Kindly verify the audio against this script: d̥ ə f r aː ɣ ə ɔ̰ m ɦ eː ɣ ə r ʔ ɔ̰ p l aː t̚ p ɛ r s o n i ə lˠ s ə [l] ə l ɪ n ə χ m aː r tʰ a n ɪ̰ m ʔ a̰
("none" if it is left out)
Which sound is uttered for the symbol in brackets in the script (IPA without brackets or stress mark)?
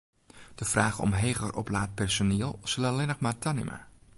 l